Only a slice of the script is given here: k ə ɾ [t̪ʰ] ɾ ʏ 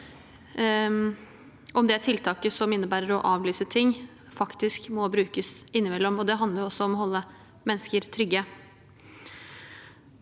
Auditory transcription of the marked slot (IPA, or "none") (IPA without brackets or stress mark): t̪ʰ